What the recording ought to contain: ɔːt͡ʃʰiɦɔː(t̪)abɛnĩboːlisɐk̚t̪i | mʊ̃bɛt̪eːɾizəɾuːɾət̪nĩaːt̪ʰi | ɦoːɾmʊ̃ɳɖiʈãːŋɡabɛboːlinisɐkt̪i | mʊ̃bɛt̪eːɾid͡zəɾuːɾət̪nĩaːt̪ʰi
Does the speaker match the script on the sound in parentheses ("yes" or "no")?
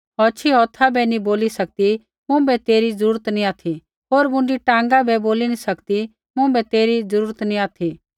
no